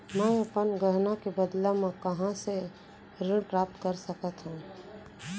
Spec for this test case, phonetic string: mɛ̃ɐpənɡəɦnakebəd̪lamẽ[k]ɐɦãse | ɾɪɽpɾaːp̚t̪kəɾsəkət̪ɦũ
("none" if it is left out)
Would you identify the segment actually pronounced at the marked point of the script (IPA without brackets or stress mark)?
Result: k